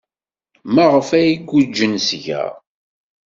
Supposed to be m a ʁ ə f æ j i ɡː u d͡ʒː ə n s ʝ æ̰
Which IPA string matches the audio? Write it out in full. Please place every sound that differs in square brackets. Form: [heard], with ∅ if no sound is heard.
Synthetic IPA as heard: m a ʁ ə f æ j i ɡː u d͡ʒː ə n s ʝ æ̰